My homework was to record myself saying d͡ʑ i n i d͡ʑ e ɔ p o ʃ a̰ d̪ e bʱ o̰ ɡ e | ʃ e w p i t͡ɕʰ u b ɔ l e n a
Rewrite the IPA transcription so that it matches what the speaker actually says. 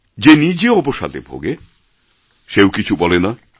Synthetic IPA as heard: d͡ʑ e n i d͡ʑ e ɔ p o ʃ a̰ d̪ e bʱ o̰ ɡ e | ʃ e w k i t͡ɕʰ u b ɔ l e n a